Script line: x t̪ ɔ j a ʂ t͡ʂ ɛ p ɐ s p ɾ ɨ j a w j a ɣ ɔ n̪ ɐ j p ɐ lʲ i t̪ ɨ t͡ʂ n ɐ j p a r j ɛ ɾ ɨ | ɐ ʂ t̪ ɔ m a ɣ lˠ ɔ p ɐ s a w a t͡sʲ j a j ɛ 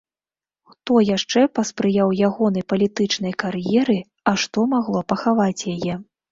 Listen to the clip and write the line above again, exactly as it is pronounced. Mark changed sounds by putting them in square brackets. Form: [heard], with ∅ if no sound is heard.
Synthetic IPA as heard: x t̪ ɔ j a ʂ t͡ʂ ɛ p ɐ s p ɾ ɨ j a w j a ɣ ɔ n̪ ɐ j p ɐ lʲ i t̪ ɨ t͡ʂ n ɐ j [k] a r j ɛ ɾ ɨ | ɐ ʂ t̪ ɔ m a ɣ lˠ ɔ p ɐ [x] a [v] a t͡sʲ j a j ɛ